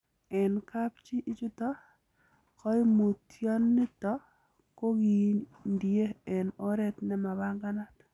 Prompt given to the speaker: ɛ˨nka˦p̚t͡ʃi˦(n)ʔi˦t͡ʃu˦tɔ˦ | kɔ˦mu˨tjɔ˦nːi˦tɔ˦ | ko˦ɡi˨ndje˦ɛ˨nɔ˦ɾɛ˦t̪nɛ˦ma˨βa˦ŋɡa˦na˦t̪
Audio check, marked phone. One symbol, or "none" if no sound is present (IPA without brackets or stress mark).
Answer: none